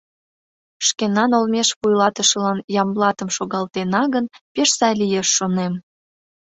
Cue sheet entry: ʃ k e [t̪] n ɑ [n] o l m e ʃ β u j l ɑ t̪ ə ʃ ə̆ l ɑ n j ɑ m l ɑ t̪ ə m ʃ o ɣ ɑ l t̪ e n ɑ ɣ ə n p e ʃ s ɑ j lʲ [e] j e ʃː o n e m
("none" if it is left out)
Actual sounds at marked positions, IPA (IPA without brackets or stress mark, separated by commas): none, n, i